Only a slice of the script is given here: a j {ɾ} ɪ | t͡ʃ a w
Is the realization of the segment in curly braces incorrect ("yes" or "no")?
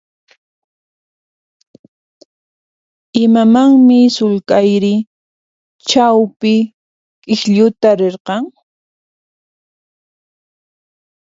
no